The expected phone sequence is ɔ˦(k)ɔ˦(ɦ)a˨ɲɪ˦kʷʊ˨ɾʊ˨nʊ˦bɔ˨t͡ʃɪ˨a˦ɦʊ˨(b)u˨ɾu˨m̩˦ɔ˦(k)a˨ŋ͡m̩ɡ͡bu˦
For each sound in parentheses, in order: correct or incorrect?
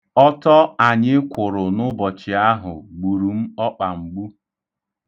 incorrect, incorrect, incorrect, incorrect

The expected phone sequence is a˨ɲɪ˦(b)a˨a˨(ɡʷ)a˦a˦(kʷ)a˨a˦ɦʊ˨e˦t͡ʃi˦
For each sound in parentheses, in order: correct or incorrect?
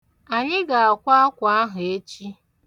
incorrect, incorrect, correct

